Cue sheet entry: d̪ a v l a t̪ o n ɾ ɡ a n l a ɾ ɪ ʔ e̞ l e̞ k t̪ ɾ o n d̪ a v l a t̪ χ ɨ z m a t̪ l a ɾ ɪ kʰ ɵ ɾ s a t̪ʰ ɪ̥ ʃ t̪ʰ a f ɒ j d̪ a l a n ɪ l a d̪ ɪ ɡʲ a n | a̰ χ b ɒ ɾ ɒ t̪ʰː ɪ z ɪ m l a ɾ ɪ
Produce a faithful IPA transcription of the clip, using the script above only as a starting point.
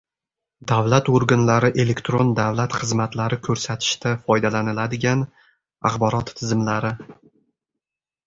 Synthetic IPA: d̪ a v l a t̪ o ɾ ɡ a n l a ɾ ɪ ʔ e̞ l e̞ k t̪ ɾ o n d̪ a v l a t̪ χ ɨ z m a t̪ l a ɾ ɪ kʰ ɵ ɾ s a t̪ʰ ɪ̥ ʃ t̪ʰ a f ɒ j d̪ a l a n ɪ l a d̪ ɪ ɡʲ a n | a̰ χ b ɒ ɾ ɒ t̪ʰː ɪ z ɪ m l a ɾ ɪ